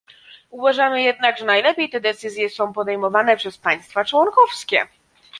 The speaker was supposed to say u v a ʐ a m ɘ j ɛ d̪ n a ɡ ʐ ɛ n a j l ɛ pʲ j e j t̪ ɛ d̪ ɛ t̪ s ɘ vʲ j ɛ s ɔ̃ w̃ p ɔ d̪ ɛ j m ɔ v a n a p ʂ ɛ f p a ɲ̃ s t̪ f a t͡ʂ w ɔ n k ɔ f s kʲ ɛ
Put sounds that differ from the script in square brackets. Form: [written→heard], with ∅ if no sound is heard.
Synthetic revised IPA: u v a ʐ a m ɘ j ɛ d̪ n a ɡ ʐ ɛ n a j l ɛ pʲ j e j t̪ ɛ d̪ ɛ t̪ s ɘ [vʲ→zʲ] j ɛ s ɔ̃ w̃ p ɔ d̪ ɛ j m ɔ v a n [a→ɛ] p ʂ ɛ [f→s] p a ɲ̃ s t̪ f a t͡ʂ w ɔ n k ɔ f s kʲ ɛ